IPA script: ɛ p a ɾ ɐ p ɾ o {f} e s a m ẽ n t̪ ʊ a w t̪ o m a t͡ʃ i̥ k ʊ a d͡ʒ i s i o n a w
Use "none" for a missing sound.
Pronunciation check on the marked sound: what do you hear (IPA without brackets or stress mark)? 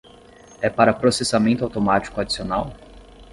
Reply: s